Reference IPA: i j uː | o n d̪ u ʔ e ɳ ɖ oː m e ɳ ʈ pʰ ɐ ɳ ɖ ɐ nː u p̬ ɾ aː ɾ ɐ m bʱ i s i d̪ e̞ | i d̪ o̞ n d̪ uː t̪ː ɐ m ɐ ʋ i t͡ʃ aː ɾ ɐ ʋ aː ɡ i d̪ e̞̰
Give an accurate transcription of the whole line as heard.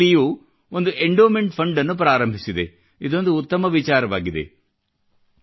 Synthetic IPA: i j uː | o n d̪ u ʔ e ɳ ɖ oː m e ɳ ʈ pʰ ɐ ɳ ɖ ɐ nː u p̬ ɾ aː ɾ ɐ m bʱ i s i d̪ e̞ | i d̪ o̞ n d̪ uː t̪ː ɐ m ɐ ʋ i t͡ʃ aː ɾ ɐ ʋ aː ɡ i d̪ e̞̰